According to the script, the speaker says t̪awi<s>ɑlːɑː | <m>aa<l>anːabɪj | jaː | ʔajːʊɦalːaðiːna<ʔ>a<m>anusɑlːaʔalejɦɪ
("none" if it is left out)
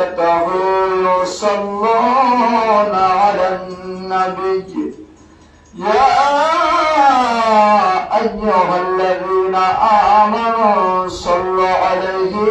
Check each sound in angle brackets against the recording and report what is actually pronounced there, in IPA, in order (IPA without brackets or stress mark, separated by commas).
s, n, l, ʔ, m